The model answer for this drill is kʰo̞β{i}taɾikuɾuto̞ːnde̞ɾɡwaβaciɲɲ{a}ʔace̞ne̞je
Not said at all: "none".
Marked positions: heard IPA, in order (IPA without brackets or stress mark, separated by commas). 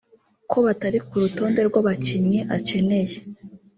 a, i